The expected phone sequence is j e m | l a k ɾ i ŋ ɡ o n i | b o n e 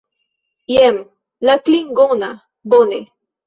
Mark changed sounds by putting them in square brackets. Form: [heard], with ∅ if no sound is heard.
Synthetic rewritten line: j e m | l a k [l] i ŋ ɡ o n [a] | b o n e